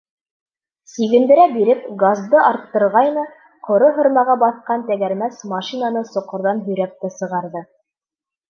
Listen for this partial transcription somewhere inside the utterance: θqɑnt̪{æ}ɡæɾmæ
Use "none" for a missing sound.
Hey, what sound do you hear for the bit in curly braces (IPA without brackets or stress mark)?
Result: æ